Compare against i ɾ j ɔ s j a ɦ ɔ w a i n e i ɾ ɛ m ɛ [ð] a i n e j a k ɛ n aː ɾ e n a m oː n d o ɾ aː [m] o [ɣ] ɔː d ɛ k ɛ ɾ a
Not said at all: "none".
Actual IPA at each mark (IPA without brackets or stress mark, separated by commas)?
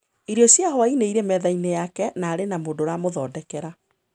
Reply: ð, m, ð